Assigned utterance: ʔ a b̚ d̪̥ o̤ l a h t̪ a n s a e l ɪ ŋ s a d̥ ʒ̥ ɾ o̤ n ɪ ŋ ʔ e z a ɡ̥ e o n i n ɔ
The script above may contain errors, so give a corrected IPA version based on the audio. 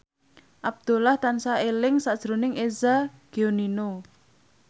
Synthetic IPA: ʔ a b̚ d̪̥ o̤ l a h t̪ a n s a e l ɪ ŋ s a d̥ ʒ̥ ɾ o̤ n ɪ ŋ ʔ e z a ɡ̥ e o n i n o